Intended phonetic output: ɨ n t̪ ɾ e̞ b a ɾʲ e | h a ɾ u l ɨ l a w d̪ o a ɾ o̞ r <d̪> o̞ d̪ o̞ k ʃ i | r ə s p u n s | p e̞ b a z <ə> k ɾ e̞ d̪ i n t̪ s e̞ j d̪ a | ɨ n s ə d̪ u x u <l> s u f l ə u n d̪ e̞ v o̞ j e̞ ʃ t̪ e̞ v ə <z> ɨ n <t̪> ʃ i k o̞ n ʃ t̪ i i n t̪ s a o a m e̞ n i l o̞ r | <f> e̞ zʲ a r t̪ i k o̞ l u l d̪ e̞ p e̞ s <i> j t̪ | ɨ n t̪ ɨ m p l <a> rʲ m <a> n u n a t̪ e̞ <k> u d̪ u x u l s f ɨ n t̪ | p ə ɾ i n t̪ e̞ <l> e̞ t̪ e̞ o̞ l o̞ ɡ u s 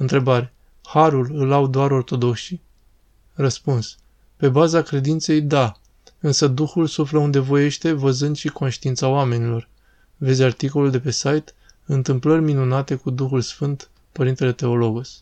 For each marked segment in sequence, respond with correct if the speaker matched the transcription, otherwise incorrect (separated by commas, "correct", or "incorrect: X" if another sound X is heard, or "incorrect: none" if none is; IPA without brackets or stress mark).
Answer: incorrect: t̪, incorrect: a, correct, correct, incorrect: d̪, incorrect: v, incorrect: a, incorrect: ə, incorrect: i, correct, correct